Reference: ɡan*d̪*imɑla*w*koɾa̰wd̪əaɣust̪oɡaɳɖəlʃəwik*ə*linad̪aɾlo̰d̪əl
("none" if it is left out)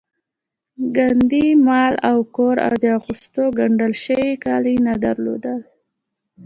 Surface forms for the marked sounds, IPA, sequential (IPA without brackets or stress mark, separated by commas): d̪, w, ɑ